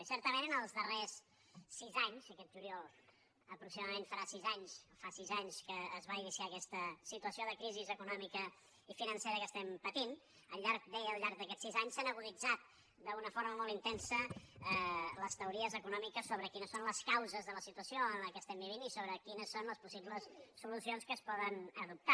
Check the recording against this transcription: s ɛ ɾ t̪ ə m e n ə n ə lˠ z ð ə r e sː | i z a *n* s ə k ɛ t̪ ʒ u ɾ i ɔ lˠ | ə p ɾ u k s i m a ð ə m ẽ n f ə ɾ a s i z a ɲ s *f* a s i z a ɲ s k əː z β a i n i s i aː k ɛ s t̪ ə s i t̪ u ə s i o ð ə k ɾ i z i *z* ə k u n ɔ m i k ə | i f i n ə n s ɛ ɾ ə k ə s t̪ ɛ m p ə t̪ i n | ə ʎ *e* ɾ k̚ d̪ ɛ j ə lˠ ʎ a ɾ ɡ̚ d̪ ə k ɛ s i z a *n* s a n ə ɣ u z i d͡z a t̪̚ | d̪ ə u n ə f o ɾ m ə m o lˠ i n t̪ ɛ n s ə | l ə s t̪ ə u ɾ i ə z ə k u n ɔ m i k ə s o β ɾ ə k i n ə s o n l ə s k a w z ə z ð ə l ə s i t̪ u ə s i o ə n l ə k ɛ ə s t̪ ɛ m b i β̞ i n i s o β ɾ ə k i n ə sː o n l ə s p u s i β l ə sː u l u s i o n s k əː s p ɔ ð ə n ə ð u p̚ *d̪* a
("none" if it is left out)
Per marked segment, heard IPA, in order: ɲ, f, z, a, ɲ, t̪

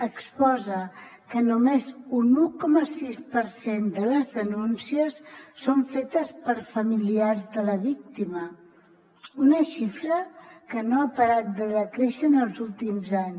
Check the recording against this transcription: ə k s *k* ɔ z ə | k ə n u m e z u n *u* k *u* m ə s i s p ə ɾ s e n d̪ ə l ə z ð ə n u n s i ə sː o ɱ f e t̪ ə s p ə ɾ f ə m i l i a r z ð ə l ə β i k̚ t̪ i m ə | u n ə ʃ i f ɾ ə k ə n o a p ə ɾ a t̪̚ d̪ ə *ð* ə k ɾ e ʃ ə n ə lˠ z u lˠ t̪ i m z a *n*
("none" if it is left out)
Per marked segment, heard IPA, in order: p, u, ɔ, ð, ɲ

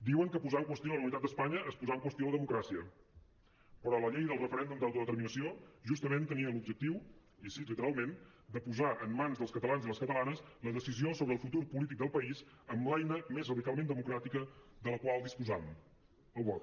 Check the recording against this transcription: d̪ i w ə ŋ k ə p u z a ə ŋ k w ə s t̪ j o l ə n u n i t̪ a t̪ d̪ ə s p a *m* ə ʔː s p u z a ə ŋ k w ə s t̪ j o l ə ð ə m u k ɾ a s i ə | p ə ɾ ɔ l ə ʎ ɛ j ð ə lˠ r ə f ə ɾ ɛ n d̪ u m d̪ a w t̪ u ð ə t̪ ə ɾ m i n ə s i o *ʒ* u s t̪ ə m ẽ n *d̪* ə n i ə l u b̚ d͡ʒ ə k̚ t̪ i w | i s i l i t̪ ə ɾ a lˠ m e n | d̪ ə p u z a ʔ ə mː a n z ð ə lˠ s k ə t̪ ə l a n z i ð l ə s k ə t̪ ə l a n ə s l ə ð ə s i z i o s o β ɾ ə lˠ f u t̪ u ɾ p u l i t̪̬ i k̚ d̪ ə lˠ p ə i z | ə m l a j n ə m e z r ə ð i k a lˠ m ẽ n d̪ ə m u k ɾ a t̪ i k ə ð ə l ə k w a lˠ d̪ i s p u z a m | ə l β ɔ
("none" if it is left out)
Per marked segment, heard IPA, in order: ɲ, ʒ, t̪

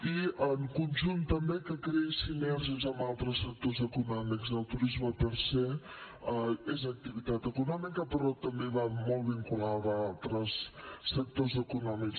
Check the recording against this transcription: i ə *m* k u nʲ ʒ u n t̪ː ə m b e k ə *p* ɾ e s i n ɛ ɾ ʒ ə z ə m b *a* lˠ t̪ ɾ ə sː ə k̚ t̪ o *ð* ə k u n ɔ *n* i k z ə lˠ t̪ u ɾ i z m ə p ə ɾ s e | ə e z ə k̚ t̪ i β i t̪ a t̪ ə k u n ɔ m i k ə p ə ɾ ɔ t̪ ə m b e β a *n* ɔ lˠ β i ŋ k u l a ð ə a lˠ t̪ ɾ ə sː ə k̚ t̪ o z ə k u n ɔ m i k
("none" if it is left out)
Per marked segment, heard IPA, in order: ŋ, k, a, z, m, m

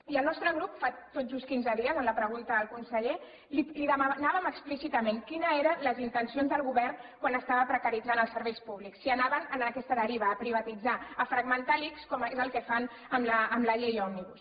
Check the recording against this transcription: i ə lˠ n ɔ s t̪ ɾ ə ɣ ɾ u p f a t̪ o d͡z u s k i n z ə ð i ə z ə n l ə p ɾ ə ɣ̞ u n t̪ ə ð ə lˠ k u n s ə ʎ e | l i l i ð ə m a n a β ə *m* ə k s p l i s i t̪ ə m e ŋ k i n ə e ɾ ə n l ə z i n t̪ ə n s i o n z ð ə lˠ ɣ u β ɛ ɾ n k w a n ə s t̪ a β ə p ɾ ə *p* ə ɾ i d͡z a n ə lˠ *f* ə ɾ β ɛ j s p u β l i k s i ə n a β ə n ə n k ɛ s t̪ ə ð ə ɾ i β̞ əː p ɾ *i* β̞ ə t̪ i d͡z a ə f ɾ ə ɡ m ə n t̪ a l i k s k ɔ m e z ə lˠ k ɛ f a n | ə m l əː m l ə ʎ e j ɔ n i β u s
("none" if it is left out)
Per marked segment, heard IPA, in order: m, k, s, i

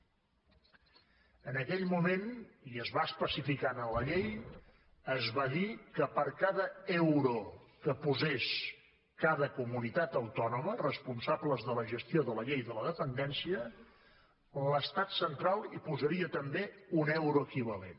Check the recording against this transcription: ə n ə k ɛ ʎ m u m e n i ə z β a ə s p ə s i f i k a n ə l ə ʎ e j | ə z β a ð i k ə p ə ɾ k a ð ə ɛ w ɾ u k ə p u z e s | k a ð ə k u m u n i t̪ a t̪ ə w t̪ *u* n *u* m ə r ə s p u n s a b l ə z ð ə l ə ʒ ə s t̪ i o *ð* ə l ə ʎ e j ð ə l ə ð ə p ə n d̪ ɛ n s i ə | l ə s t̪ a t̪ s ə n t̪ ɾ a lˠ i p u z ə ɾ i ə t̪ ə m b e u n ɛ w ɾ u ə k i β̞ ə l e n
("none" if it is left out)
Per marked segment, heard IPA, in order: ɔ, u, ð

